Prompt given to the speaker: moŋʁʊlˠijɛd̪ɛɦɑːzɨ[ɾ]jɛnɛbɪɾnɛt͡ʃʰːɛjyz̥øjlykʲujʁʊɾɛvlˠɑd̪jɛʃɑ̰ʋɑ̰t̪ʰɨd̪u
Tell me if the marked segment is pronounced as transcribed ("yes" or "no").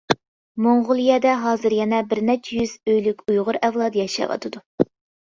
yes